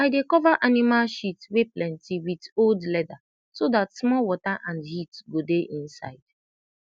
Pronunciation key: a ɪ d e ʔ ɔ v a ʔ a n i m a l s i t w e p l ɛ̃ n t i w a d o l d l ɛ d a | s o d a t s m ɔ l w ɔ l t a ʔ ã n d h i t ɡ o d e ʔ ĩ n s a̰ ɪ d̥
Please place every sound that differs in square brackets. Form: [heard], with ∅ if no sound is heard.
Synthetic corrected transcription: a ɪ d e [k] ɔ v a ʔ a n i m a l [ʃ] i t w e p l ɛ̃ n t i w [i] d o l d l ɛ d a | s o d a t s m ɔ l w ɔ [∅] t a ʔ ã n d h i t ɡ o d e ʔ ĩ n s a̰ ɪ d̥